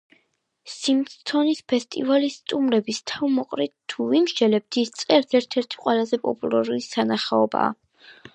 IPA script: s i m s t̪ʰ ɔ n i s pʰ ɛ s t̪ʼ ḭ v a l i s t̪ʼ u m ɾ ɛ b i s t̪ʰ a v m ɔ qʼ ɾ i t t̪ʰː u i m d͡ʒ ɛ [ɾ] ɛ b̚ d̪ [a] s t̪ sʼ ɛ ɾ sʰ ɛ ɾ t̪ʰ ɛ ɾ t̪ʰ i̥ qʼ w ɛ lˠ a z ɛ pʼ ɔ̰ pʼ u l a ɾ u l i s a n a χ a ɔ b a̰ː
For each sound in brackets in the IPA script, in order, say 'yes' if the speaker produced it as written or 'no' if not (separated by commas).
no, no